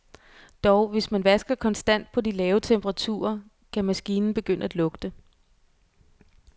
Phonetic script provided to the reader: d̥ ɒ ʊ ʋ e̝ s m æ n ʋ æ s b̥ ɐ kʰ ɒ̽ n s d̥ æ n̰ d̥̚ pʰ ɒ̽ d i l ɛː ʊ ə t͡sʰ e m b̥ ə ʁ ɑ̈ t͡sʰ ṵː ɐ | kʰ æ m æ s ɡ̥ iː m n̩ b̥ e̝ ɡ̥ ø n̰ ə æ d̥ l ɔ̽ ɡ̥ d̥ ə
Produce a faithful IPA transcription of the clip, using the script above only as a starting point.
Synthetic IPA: d̥ ɒ ʊ ʋ e̝ s m æ n ʋ æ s ɡ̥ ɐ kʰ ɒ̽ n s d̥ æ n̰ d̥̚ pʰ ɒ̽ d i l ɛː ʊ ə t͡sʰ e m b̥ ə ʁ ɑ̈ t͡sʰ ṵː ɐ | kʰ æ m æ s ɡ̥ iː n n̩ b̥ e̝ ɡ̥ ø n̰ ə æ d̥ l ɔ̽ ɡ̥ d̥ ə